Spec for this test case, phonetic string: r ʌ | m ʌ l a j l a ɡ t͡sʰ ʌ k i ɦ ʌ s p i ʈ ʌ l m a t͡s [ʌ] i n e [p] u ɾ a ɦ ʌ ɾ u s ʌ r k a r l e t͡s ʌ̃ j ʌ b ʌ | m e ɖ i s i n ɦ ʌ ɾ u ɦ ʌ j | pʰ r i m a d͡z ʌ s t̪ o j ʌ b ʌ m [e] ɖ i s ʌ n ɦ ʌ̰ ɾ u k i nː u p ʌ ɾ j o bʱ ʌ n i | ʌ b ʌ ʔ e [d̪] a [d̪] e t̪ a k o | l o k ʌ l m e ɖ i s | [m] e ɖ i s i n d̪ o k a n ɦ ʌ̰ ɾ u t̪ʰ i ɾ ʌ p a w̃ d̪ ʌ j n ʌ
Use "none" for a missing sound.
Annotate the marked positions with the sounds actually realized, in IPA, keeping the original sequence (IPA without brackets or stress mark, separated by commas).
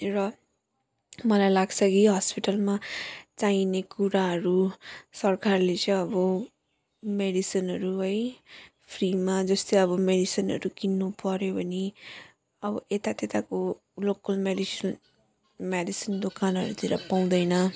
a, k, e, t̪, t̪, m